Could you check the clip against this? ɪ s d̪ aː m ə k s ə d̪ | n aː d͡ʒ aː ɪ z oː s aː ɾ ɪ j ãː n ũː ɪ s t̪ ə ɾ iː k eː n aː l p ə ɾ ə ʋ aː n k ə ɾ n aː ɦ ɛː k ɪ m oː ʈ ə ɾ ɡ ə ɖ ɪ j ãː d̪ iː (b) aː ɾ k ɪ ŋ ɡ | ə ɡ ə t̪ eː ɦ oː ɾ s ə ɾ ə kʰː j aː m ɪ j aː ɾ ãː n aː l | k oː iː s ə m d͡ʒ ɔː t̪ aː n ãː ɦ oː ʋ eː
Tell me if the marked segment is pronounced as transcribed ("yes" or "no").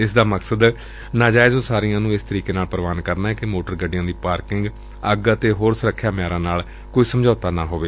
no